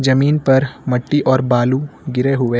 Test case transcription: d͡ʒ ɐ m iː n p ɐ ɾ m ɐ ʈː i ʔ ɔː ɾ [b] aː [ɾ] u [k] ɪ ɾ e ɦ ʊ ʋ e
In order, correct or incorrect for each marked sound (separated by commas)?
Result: correct, incorrect, incorrect